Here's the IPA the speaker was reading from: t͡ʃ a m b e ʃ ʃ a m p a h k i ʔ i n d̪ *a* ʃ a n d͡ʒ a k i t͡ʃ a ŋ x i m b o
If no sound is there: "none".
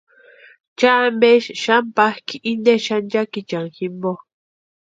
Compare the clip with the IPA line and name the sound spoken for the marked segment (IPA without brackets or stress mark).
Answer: e